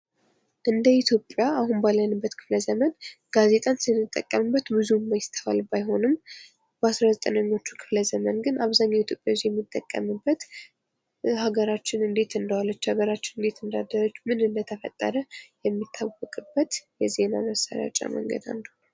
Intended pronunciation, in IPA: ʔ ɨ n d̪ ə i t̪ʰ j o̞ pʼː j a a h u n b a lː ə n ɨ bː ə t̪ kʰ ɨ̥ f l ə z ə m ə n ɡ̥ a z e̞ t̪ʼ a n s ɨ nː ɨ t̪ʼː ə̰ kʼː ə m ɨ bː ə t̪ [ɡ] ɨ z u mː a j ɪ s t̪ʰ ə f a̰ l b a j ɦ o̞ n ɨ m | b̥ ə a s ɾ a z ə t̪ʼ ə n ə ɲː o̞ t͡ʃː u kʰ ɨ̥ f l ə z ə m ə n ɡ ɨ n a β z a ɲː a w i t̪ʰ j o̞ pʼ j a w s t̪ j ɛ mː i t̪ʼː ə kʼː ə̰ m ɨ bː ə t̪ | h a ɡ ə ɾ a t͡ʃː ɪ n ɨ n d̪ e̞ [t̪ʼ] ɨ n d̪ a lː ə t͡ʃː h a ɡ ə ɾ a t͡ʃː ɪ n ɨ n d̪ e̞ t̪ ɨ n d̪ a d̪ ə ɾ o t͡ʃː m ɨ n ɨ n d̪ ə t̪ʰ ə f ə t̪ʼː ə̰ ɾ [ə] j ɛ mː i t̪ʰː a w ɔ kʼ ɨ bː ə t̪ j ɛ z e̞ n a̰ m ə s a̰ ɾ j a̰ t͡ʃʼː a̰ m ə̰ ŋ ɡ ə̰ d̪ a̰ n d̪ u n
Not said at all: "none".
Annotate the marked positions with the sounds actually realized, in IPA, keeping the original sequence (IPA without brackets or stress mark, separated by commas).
b, t̪, ə